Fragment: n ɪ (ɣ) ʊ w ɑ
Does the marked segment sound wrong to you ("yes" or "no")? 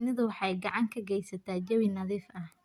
yes